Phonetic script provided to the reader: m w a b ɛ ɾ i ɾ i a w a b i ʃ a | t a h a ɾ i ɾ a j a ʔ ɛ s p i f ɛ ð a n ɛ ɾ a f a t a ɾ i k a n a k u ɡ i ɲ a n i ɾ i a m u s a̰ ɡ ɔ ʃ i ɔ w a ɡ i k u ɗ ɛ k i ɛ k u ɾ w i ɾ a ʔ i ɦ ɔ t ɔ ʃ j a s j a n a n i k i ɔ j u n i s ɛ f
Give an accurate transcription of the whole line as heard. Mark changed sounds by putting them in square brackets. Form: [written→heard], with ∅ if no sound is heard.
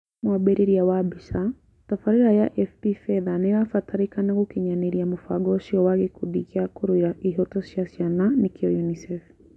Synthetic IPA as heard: m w a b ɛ ɾ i ɾ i a w a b i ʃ a | t a [h→f] a ɾ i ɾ a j a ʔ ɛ [s→f] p i f ɛ ð a n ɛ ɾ a f a t a ɾ i k a n a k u [ɡ→k] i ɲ a n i ɾ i a m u [s→f] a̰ ɡ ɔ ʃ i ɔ w a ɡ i k u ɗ [ɛ→i] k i [ɛ→a] k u ɾ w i ɾ a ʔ i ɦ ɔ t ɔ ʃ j a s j a n a n i k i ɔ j u n i s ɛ f